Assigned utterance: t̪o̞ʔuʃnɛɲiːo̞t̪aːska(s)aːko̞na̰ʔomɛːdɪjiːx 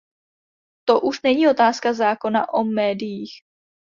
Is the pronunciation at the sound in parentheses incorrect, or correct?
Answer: incorrect